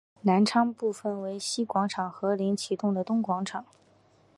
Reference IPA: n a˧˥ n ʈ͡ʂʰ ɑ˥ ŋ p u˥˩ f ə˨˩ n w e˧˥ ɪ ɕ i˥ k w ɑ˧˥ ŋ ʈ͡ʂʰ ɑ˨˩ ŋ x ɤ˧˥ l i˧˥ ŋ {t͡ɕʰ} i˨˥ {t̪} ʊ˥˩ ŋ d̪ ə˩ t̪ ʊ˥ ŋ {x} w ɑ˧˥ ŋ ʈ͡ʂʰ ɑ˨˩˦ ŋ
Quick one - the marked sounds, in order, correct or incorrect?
correct, correct, incorrect: k

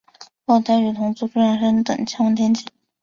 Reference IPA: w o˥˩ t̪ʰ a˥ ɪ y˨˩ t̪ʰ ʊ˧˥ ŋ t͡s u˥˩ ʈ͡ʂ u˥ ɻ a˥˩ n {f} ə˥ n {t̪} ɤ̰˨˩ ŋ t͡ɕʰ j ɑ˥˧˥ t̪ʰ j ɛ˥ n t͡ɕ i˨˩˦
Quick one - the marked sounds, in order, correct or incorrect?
incorrect: ʂ, correct

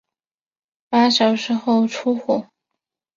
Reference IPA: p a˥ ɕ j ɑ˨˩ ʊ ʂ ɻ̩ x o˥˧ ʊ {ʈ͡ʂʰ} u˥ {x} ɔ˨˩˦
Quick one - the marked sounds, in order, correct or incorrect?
correct, correct

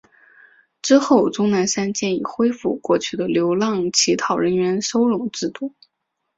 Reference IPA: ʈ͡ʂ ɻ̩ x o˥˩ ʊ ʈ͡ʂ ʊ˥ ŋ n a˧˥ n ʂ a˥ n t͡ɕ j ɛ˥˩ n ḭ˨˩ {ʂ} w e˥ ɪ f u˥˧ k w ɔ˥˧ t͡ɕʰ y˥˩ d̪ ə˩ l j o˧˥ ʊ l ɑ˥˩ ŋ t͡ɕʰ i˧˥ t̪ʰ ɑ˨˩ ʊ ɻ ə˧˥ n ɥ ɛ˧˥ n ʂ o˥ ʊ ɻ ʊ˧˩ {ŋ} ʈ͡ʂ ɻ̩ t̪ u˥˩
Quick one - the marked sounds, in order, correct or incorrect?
incorrect: x, correct

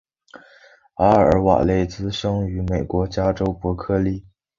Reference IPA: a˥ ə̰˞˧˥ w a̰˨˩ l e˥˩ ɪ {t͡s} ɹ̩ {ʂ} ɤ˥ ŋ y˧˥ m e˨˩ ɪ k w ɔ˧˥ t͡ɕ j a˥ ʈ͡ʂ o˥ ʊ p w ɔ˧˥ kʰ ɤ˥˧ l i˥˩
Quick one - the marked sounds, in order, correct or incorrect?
correct, correct

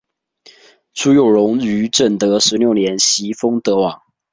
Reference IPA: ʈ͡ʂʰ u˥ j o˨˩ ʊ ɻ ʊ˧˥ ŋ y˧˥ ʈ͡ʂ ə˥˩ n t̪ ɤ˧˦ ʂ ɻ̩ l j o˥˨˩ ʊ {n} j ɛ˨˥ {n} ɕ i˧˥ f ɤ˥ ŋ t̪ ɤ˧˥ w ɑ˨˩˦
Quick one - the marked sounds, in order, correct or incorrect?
correct, correct

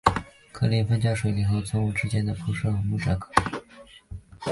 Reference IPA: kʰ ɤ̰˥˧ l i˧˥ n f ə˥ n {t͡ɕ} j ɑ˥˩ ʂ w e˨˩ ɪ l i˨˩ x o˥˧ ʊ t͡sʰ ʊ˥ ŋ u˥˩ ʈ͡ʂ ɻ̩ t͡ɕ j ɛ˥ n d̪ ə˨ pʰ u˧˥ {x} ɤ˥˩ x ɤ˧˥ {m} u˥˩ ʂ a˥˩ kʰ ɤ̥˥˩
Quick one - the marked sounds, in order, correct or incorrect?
correct, incorrect: ʂ, correct

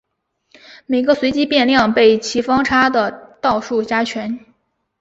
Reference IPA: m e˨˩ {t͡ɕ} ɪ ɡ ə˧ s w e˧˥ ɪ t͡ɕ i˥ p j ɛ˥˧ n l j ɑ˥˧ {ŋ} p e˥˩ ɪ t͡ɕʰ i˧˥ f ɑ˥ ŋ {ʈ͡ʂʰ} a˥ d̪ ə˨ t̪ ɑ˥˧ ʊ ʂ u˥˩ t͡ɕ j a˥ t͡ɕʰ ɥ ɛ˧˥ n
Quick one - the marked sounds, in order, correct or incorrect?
incorrect: none, correct, correct

